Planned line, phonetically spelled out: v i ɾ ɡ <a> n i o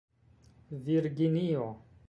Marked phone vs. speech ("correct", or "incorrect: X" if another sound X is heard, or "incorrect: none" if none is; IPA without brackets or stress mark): incorrect: i